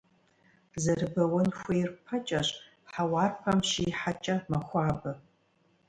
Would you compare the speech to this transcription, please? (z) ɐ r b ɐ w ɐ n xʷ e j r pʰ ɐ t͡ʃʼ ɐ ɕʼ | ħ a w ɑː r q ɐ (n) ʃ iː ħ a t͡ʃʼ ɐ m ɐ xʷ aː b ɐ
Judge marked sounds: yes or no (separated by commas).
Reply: yes, no